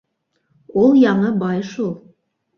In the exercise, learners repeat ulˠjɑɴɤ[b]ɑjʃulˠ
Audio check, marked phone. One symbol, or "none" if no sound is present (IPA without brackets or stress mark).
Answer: b